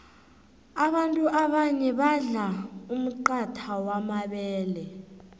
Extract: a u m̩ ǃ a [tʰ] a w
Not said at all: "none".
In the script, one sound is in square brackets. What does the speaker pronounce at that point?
tʰ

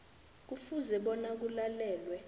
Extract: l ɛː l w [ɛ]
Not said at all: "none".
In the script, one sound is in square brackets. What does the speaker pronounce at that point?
ɛ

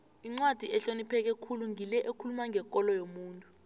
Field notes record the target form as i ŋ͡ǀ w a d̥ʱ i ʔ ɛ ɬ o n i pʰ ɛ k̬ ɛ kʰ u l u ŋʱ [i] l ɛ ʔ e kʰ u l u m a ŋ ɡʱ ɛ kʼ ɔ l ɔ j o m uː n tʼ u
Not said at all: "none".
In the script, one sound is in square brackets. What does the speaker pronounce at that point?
i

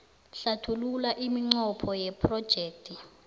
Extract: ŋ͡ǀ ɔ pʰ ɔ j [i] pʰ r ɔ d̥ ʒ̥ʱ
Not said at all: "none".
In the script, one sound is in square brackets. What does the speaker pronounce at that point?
ɛ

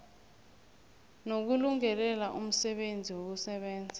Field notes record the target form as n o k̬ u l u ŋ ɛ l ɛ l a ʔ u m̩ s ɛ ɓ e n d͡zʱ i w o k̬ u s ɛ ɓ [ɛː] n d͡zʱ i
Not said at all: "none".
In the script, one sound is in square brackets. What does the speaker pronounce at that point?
ɛː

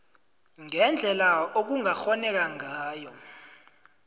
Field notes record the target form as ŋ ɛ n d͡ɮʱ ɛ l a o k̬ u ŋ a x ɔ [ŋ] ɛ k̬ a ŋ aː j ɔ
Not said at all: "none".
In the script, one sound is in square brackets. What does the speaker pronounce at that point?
n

